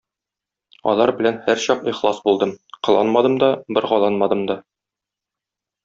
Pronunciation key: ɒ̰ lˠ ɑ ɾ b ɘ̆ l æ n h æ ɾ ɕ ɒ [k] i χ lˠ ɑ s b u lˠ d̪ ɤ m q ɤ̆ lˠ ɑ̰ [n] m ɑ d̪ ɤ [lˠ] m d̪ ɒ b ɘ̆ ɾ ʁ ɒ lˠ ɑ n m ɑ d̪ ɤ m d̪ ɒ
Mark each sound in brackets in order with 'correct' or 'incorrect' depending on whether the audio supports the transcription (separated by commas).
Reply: incorrect, correct, incorrect